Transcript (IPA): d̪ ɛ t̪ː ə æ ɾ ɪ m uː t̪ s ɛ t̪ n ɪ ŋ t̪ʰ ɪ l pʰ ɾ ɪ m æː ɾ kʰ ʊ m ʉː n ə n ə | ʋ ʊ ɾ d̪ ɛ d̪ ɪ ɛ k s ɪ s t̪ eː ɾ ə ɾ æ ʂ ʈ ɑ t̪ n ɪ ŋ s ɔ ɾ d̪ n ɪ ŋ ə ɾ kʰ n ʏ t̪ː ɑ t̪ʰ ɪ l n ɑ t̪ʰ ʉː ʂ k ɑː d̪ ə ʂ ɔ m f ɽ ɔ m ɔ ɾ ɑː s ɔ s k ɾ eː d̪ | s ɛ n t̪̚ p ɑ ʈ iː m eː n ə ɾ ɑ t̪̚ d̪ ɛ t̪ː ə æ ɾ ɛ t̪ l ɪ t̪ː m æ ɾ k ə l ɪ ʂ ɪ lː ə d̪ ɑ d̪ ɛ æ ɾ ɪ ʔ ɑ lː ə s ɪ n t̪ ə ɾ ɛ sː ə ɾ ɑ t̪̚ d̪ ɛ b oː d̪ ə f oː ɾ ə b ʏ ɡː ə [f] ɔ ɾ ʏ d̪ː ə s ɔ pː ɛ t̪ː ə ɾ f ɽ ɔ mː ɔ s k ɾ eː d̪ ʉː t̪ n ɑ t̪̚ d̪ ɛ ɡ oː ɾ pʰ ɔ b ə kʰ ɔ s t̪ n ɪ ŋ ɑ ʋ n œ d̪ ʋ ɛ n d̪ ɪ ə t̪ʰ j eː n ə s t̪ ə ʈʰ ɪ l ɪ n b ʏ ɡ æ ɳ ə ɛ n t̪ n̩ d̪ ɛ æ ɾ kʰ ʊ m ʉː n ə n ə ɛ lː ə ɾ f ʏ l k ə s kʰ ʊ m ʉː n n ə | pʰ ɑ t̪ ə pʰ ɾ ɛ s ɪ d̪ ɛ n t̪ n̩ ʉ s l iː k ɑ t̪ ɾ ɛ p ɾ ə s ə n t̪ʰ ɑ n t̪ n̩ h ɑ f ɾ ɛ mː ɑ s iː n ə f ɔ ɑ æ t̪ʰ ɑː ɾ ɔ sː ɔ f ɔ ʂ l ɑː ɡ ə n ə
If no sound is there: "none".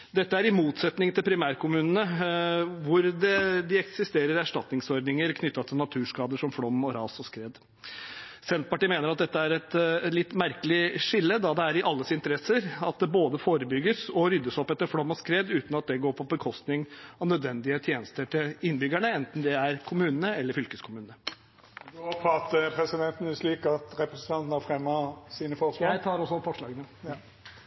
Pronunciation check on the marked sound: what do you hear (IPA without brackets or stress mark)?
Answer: s